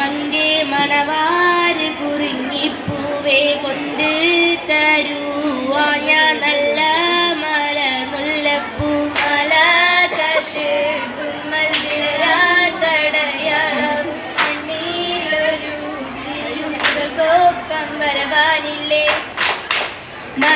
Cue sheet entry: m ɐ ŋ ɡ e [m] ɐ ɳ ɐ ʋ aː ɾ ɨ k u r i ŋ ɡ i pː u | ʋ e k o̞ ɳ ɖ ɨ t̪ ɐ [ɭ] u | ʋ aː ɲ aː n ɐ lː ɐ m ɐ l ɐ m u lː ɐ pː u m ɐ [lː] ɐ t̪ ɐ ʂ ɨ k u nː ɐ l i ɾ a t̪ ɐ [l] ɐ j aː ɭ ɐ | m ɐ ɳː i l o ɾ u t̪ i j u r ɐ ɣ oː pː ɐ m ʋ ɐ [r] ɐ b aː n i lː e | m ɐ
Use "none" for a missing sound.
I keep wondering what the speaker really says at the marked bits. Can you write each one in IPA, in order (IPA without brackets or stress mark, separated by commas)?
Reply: m, ɾ, l, ɽ, ɾ